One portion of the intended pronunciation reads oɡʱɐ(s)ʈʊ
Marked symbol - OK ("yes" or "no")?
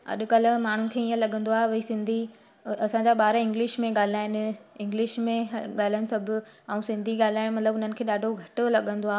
no